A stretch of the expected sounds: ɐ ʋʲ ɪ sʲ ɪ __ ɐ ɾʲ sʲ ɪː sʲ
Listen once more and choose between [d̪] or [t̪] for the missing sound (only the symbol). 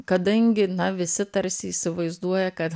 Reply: t̪